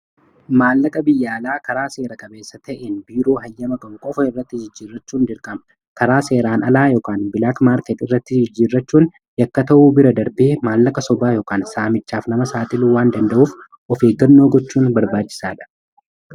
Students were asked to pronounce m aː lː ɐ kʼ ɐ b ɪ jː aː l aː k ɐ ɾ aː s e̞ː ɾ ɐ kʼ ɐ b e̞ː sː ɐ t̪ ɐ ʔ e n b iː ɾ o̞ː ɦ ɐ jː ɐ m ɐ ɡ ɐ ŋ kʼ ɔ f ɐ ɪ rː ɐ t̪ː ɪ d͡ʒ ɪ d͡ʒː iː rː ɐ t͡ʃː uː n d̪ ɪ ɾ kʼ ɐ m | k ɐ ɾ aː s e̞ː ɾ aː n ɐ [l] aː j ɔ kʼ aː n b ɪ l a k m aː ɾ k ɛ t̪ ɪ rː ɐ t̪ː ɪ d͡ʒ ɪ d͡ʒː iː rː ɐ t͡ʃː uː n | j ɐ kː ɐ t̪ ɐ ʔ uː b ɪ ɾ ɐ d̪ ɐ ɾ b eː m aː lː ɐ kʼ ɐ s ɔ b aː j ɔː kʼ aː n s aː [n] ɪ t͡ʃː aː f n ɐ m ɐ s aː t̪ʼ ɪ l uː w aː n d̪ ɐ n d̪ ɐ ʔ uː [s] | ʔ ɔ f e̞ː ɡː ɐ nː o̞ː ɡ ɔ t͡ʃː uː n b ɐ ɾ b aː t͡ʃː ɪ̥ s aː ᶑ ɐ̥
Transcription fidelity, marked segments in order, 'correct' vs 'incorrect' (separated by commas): correct, incorrect, incorrect